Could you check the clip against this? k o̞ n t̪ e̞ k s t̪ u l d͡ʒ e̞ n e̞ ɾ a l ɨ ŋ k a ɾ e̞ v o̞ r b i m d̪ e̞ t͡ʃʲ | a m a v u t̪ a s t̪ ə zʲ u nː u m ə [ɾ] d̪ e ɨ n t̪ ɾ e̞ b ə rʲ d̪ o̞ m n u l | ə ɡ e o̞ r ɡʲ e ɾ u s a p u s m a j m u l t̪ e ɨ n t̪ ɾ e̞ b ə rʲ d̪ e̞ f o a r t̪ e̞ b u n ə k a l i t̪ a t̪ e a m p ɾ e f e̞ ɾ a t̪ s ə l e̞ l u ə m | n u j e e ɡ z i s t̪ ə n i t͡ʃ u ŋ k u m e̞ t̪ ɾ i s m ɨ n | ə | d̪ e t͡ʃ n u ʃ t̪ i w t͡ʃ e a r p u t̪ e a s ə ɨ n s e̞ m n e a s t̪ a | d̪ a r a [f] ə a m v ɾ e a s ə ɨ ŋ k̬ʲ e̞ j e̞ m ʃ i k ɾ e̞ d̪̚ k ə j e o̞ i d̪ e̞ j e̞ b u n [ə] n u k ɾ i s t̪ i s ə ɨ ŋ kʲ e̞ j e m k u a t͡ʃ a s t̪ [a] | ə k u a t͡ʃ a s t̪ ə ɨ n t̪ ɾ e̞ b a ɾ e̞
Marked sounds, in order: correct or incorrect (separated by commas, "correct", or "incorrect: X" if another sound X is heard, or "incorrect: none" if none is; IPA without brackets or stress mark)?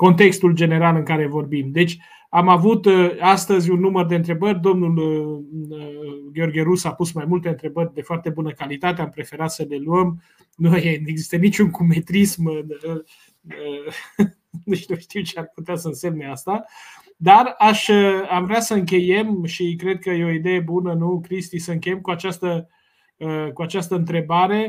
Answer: incorrect: r, incorrect: ʃ, correct, incorrect: ə